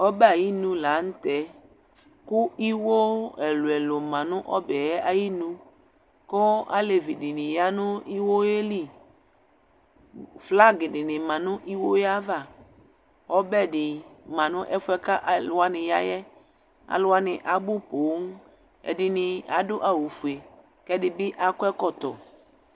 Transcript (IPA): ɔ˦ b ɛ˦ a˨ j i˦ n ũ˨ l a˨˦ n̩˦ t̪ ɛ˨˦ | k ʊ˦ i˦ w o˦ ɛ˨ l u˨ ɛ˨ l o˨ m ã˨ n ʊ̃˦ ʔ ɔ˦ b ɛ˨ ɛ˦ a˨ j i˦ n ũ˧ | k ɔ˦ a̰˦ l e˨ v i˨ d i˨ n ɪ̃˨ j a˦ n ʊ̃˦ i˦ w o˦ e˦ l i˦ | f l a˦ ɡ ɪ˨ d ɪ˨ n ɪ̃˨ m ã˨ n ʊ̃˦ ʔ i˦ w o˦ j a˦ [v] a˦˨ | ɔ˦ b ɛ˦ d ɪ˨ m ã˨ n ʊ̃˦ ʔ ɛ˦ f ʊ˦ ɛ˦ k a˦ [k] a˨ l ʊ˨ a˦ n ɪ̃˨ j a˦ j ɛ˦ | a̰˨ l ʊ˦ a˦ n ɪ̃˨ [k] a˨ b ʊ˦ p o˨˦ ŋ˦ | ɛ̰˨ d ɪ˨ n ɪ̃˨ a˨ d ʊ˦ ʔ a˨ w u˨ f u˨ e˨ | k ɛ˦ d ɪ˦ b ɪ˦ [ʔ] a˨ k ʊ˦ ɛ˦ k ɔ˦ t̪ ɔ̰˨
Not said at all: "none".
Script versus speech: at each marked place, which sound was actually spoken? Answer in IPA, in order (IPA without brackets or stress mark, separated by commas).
v, ʔ, ʔ, ʔ